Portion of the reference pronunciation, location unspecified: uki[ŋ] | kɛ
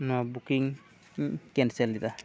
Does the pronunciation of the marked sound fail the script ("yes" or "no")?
no